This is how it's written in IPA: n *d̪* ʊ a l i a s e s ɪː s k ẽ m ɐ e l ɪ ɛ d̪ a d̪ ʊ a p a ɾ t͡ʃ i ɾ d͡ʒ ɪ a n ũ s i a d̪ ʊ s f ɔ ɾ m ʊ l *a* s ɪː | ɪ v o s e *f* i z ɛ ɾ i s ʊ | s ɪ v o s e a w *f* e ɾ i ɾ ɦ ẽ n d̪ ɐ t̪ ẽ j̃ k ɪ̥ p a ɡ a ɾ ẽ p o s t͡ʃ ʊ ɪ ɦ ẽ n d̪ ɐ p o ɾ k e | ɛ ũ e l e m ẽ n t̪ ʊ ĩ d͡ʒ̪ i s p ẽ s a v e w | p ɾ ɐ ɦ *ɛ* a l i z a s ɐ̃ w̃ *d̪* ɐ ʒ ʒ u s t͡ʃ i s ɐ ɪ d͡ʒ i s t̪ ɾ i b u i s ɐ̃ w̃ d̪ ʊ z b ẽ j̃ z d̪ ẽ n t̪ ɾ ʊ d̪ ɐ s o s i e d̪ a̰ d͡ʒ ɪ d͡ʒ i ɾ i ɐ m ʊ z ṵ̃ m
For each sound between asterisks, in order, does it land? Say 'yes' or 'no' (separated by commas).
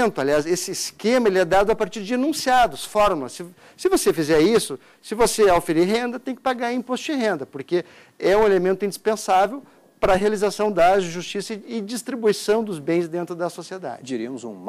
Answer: no, no, yes, yes, no, yes